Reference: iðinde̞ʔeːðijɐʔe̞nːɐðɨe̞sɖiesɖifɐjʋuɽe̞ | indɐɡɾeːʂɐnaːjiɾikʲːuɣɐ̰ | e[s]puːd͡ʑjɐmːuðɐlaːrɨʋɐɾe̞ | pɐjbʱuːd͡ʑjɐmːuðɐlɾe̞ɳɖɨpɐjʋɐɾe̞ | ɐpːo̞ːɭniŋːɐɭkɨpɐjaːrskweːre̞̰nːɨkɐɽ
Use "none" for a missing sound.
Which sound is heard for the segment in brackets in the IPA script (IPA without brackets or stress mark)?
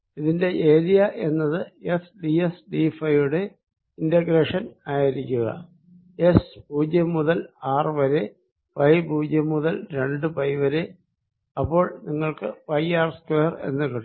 s